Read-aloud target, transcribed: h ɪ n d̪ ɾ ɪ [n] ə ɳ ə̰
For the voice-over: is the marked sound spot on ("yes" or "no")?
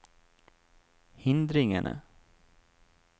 no